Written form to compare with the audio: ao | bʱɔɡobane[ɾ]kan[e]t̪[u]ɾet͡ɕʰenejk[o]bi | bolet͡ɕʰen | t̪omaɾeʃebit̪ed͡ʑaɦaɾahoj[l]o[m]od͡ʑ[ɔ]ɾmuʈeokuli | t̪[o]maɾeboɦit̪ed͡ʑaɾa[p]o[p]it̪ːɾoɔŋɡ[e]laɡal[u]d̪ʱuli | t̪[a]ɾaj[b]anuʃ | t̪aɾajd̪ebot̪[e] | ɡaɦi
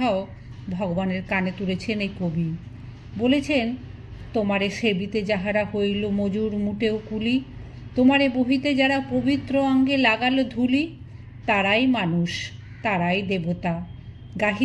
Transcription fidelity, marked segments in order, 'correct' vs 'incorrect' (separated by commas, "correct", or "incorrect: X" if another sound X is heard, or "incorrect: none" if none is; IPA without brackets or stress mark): correct, correct, correct, correct, correct, correct, incorrect: u, correct, correct, incorrect: b, correct, incorrect: o, correct, incorrect: m, incorrect: a